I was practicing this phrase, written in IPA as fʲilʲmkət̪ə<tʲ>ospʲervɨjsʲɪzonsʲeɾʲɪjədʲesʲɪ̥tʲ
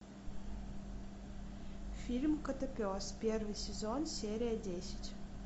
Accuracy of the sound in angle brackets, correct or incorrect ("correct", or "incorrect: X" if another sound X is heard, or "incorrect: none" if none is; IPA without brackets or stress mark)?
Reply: incorrect: pʲ